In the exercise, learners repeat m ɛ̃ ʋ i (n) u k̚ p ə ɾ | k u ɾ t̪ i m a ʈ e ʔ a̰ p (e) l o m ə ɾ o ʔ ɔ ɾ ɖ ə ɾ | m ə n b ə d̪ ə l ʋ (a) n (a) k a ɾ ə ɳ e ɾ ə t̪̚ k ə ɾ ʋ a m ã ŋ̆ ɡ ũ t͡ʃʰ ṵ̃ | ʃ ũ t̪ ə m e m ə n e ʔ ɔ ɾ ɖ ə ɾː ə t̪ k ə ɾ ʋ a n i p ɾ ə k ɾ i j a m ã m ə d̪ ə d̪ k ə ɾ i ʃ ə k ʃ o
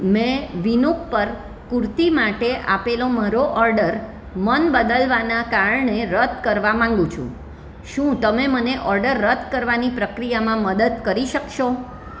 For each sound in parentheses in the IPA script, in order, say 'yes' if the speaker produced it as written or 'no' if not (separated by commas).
yes, yes, yes, yes